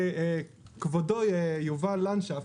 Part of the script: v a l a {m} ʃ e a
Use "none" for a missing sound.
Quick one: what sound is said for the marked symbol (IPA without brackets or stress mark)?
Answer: n